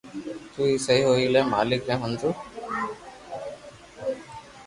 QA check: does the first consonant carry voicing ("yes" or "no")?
no